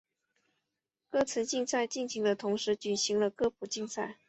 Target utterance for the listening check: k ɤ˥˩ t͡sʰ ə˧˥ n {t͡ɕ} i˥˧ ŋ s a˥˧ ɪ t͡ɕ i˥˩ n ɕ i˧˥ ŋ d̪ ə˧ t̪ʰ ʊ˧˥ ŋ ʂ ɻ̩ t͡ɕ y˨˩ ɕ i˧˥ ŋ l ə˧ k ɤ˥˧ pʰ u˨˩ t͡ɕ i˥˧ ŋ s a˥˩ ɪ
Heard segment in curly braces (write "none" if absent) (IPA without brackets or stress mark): t͡ɕ